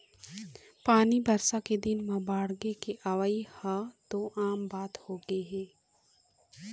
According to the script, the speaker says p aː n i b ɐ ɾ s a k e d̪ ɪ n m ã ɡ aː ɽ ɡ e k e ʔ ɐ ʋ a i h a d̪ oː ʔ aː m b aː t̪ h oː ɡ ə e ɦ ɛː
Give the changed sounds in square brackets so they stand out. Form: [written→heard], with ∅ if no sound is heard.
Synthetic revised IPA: p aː n i b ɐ ɾ s a k e d̪ ɪ n m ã [ɡ→b] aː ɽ ɡ e k e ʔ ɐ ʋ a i h a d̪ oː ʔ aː m b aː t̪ h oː ɡ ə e ɦ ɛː

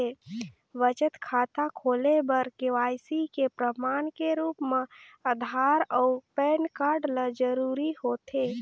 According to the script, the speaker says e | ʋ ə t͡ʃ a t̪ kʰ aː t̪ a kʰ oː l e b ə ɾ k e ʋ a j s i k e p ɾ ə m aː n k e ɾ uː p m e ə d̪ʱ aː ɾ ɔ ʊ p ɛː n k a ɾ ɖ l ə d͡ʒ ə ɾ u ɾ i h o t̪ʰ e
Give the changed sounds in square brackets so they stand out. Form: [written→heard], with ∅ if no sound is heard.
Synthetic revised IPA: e | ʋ ə t͡ʃ [a→ə] t̪ kʰ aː t̪ a kʰ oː l e b ə ɾ k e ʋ a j s i k e p ɾ ə m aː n k e ɾ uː p m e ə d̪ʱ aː ɾ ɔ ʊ p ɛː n k a ɾ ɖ l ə d͡ʒ ə ɾ u ɾ i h o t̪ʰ e

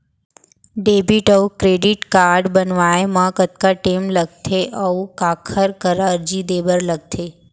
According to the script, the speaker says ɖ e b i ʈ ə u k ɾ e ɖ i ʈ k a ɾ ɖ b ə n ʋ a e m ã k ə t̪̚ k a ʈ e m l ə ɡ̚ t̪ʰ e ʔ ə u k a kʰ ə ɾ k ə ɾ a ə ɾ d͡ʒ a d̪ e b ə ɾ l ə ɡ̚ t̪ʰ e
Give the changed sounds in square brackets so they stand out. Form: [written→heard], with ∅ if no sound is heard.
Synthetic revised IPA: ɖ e b i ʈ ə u k ɾ e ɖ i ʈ k a ɾ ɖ b ə n ʋ a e m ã k ə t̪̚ k a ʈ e m l ə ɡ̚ t̪ʰ e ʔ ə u k a kʰ ə ɾ k ə ɾ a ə ɾ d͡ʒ [a→i] d̪ e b ə ɾ l ə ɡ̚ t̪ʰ e

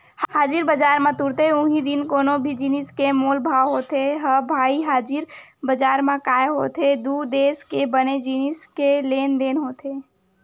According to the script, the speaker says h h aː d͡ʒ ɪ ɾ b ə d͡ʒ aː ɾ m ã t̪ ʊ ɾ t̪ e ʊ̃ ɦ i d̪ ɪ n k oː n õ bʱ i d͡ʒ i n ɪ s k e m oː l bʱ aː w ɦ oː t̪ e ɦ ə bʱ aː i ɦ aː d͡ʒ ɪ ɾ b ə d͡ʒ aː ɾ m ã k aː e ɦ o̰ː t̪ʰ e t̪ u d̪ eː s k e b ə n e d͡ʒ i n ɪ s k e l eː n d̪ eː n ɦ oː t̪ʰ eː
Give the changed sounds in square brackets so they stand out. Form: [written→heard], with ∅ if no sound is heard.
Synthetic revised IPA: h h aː d͡ʒ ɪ ɾ b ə d͡ʒ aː ɾ m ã t̪ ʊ ɾ t̪ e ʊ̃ ɦ i d̪ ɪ n k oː n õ bʱ i d͡ʒ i n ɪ s k e m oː l bʱ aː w ɦ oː t̪ e ɦ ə bʱ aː i ɦ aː d͡ʒ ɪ ɾ b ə d͡ʒ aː ɾ m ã k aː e ɦ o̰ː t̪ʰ e [t̪→d̪] u d̪ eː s k e b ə n e d͡ʒ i n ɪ s k e l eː n d̪ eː n ɦ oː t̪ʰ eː

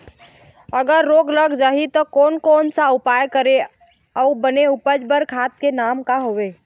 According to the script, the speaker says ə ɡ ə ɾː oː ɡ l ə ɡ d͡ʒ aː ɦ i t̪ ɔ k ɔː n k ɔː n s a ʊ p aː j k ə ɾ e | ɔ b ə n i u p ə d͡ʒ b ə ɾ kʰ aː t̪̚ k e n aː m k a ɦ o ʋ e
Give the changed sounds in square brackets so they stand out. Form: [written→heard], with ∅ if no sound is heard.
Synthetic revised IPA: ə ɡ ə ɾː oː ɡ l ə ɡ d͡ʒ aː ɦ i t̪ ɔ k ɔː n k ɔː n s a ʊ p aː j k ə ɾ e | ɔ b ə n [i→e] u p ə d͡ʒ b ə ɾ kʰ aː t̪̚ k e n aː m k a ɦ o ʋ e

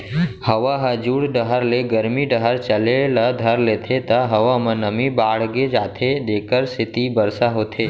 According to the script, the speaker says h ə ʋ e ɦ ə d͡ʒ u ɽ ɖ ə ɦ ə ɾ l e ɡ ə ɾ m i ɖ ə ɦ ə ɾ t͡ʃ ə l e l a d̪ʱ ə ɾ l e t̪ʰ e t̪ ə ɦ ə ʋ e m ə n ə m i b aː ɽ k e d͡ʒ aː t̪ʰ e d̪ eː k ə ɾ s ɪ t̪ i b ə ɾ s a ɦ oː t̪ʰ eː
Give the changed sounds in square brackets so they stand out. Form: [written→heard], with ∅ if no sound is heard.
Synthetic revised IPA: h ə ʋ [e→a] ɦ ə d͡ʒ u ɽ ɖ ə ɦ ə ɾ l e ɡ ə ɾ m i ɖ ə ɦ ə ɾ t͡ʃ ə l e l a d̪ʱ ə ɾ l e t̪ʰ e t̪ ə ɦ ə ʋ [e→a] m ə n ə m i b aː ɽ [k→ɡ] e d͡ʒ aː t̪ʰ e d̪ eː k ə ɾ s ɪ t̪ i b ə ɾ s a ɦ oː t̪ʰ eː

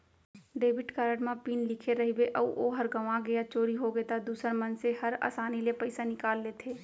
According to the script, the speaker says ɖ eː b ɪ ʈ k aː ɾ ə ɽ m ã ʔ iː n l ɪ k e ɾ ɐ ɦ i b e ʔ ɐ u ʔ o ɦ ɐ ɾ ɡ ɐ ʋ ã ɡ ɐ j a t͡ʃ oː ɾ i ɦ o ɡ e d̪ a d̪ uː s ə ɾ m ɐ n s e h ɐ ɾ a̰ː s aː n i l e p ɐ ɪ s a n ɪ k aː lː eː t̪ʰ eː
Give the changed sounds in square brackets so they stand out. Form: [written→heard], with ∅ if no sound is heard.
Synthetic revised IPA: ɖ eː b ɪ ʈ k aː ɾ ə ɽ m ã [ʔ→p] iː n l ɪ [k→kʰ] e ɾ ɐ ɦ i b e ʔ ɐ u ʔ o ɦ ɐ ɾ ɡ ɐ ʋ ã ɡ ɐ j a t͡ʃ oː ɾ i ɦ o ɡ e [d̪→t̪] a d̪ uː s ə ɾ m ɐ n s e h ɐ ɾ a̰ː s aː n i l e p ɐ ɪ s a n ɪ k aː lː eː t̪ʰ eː

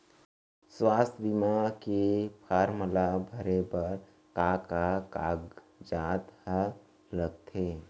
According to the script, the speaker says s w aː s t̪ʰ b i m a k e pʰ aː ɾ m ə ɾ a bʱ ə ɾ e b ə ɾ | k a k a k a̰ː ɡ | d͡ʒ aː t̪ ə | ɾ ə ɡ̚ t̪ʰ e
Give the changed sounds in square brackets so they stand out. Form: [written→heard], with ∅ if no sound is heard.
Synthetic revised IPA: s w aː s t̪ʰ b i m a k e pʰ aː ɾ m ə [ɾ→l] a bʱ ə ɾ e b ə ɾ | k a k a k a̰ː ɡ | d͡ʒ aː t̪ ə | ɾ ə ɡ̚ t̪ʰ e

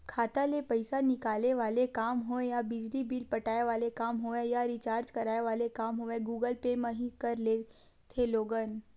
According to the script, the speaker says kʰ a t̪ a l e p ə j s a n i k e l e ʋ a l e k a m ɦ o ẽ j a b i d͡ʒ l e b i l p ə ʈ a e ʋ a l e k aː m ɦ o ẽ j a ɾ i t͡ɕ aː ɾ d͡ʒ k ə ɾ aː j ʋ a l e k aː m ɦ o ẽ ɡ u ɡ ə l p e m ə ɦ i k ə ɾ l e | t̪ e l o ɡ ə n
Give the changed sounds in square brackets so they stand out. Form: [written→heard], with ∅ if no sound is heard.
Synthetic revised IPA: kʰ a t̪ a l e p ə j s a n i k [e→a] l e ʋ a l e k a m ɦ o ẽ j a b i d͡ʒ l [e→i] b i l p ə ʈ a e ʋ a l e k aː m ɦ o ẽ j a ɾ i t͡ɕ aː ɾ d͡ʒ k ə ɾ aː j ʋ a l e k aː m ɦ o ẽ ɡ u ɡ ə l p e m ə ɦ i k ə ɾ l e | [t̪→t̪ʰ] e l o ɡ ə n

